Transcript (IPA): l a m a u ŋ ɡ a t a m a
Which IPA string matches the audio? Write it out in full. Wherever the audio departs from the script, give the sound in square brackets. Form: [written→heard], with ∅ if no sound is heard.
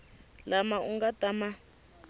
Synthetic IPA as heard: l a m a u ŋ ɡ a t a m a